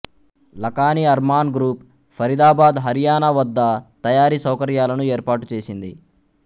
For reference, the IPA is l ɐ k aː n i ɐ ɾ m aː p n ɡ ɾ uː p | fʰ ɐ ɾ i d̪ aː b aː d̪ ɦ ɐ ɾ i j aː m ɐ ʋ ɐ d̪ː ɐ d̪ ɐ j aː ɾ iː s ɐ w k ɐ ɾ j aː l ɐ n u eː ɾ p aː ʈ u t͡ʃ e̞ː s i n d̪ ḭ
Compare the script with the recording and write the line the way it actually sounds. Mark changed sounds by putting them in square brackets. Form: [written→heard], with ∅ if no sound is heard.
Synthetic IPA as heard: l ɐ k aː n i ɐ ɾ m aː [p→∅] n ɡ ɾ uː p | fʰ ɐ ɾ i d̪ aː b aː d̪ ɦ ɐ ɾ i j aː [m→n] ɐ ʋ ɐ d̪ː ɐ [d̪→t̪] ɐ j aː ɾ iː s ɐ w k ɐ ɾ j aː l ɐ n u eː ɾ p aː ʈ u t͡ʃ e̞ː s i n d̪ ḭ